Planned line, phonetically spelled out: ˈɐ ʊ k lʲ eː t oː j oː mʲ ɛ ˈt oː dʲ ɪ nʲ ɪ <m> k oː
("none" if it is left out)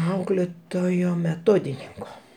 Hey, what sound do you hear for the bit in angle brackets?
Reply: ŋ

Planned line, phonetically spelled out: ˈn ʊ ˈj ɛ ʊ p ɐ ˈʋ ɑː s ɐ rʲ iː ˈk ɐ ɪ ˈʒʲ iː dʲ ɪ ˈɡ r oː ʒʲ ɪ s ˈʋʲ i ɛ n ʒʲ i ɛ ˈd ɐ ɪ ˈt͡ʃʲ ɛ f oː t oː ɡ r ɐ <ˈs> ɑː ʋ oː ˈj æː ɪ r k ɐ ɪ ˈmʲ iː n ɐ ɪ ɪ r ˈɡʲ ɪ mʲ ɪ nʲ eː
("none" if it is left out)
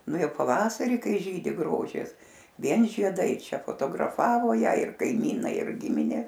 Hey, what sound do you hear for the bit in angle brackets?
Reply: f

